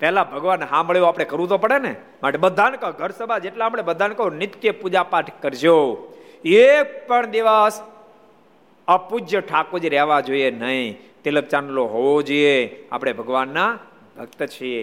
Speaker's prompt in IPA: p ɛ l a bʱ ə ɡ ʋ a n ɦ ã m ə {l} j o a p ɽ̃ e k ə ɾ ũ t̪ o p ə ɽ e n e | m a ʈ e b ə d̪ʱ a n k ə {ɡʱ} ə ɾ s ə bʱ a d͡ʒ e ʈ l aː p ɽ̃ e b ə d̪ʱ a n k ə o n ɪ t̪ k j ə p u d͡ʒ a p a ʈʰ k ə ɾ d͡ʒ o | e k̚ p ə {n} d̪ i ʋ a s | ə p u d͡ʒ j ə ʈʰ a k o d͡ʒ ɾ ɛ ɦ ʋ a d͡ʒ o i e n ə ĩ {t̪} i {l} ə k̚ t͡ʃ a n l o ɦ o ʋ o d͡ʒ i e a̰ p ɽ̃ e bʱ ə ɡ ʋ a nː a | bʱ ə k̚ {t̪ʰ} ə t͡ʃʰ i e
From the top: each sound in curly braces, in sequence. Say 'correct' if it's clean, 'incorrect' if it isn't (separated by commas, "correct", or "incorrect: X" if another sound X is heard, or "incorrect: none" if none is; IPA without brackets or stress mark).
incorrect: ɭ, correct, incorrect: ɳ, correct, correct, incorrect: t̪